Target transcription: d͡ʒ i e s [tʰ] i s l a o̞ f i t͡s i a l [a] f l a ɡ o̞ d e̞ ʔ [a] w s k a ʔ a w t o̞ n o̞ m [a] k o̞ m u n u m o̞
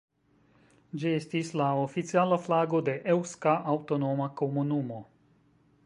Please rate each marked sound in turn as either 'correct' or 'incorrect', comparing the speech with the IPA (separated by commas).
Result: incorrect, correct, incorrect, correct